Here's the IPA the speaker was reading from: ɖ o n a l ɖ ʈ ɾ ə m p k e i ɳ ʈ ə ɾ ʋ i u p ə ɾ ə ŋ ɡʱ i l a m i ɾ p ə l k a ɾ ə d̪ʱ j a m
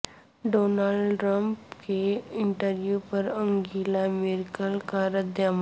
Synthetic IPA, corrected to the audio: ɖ o n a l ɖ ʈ ɾ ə m p k e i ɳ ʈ ə ɾ ʋ j u p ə ɾ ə ŋ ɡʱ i l a m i ɾ k ə l k a ɾ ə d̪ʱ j a m